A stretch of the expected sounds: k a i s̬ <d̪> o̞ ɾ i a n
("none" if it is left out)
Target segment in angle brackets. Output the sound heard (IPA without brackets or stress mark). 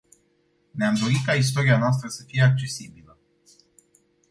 t̪